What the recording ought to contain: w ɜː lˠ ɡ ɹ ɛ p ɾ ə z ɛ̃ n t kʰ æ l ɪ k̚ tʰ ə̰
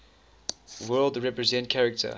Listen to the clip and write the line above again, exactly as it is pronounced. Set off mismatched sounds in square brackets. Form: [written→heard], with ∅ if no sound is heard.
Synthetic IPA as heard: w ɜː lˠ [ɡ→d] ɹ ɛ p [ɾ→ɹ] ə z ɛ̃ n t kʰ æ [l→ɹ] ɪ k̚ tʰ ə̰